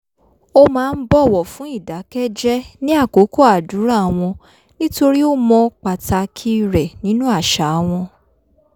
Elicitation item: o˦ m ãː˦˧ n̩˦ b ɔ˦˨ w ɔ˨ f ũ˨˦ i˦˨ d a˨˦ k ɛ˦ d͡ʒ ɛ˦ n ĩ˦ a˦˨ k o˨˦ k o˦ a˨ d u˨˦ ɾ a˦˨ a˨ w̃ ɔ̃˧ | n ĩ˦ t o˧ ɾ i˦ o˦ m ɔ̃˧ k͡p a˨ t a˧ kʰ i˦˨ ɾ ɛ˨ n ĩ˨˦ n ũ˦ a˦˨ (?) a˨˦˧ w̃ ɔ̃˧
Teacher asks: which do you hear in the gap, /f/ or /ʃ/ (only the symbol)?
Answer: ʃ